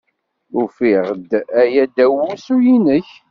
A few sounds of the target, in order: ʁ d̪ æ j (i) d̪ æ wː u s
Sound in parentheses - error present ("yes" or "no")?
yes